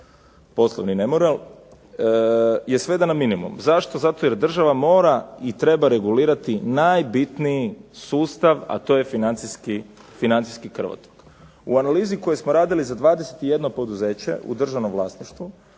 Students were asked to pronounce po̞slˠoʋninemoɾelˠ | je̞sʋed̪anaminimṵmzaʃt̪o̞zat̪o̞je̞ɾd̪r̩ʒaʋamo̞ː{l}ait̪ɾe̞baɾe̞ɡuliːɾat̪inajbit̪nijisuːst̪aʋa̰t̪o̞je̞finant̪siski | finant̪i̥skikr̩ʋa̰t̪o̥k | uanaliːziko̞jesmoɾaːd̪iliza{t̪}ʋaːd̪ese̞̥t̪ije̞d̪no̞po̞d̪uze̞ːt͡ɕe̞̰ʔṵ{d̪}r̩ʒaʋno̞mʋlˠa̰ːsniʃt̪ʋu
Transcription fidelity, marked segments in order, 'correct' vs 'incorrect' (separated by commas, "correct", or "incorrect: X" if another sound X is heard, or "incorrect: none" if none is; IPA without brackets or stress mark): incorrect: ɾ, incorrect: d̪, correct